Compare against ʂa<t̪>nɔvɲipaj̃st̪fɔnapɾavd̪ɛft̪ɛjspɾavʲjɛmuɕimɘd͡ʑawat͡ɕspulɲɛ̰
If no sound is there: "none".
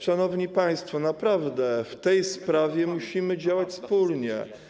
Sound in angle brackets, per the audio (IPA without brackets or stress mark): none